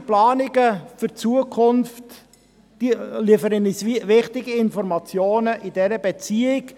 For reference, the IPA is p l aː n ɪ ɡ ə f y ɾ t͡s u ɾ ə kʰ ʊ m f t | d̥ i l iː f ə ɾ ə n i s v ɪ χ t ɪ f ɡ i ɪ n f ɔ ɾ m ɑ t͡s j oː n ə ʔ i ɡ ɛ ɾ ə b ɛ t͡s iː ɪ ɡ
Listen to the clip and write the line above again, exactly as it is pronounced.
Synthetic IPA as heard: p l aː n ɪ ɡ ə f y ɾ t͡s u ə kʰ ʊ n f t | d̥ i l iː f ə ɾ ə n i s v ɪ χ t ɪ ɡ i ɪ n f ɔ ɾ m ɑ t͡s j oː n ə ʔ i d ɛ ɾ ə b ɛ t͡s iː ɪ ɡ